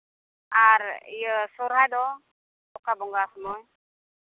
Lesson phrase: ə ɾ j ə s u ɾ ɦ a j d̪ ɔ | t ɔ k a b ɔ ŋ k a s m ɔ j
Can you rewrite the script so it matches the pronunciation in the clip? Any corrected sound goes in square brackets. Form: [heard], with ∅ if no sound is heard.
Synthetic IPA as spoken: [a] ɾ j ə s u ɾ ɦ a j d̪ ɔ | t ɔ k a b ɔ ŋ [ɡ] a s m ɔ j